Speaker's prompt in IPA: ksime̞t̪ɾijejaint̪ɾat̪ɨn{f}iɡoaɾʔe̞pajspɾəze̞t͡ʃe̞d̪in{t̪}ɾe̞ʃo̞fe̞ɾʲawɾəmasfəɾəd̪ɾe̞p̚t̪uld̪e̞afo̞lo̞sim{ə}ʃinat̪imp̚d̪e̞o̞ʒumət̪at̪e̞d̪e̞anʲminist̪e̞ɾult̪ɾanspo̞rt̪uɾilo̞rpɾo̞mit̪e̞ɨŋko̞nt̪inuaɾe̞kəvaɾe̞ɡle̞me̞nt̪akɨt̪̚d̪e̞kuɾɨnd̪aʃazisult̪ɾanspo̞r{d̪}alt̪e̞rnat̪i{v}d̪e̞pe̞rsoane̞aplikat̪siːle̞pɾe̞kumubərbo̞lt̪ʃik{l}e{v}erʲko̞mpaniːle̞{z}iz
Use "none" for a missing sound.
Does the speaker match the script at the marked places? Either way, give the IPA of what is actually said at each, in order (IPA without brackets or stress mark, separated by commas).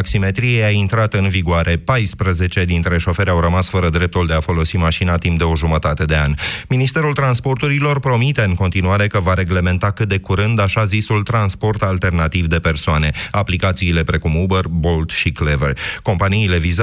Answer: v, t̪, a, t̪, v, l, v, v